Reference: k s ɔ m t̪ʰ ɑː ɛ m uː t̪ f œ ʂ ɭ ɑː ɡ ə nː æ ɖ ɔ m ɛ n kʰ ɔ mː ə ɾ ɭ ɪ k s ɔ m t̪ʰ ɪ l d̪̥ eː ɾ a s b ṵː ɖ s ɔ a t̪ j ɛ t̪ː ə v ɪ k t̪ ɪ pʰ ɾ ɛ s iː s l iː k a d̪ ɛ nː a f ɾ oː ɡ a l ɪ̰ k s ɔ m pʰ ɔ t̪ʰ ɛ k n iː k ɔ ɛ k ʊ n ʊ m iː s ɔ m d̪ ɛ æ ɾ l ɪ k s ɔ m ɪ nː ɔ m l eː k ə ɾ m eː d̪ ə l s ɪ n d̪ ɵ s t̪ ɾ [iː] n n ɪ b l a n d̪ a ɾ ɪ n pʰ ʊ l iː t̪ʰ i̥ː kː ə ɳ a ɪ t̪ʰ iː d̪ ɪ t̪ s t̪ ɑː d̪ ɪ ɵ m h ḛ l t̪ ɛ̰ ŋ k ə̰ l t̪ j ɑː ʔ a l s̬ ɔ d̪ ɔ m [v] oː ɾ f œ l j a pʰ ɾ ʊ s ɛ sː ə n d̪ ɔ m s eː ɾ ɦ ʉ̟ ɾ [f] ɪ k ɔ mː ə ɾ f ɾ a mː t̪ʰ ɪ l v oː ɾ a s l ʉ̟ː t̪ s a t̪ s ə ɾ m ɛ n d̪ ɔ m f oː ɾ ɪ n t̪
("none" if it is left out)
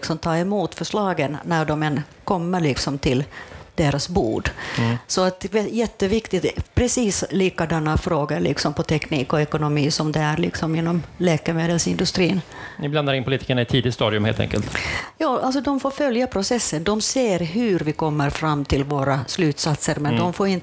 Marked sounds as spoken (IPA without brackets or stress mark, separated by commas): iː, f, v